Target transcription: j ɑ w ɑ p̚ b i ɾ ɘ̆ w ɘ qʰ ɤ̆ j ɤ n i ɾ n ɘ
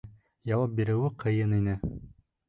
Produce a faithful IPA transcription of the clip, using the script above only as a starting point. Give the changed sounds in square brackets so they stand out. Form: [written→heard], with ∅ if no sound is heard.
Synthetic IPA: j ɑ w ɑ p̚ b i ɾ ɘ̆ w ɘ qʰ ɤ̆ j ɤ n i [ɾ→∅] n ɘ